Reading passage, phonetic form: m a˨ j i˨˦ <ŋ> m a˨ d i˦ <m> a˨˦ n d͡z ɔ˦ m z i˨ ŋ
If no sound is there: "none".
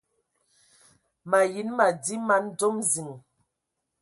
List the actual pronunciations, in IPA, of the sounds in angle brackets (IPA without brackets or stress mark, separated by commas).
n, m